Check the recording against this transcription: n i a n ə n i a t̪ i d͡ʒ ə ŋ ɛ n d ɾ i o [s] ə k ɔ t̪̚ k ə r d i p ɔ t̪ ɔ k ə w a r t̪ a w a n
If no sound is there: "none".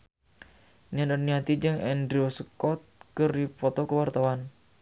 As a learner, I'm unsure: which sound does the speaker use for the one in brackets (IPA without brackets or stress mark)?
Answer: s